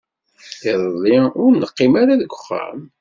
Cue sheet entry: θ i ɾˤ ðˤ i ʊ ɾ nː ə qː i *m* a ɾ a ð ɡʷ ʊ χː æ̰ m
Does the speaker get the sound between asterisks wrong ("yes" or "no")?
no